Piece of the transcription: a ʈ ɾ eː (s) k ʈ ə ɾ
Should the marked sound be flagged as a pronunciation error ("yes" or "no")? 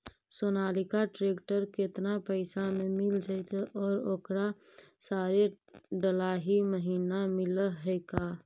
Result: yes